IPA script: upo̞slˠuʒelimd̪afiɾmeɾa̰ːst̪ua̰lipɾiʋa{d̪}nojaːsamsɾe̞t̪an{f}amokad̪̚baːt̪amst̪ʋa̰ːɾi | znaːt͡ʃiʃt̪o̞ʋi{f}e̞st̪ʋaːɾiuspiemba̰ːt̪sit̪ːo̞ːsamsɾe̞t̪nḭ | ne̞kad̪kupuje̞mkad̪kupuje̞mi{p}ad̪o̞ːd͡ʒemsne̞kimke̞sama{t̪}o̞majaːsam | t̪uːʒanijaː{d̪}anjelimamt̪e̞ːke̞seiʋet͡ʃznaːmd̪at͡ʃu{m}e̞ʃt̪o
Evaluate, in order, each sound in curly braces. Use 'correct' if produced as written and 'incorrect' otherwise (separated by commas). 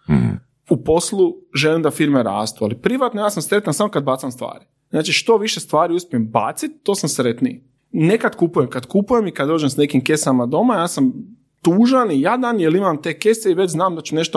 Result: incorrect, incorrect, incorrect, incorrect, incorrect, correct, incorrect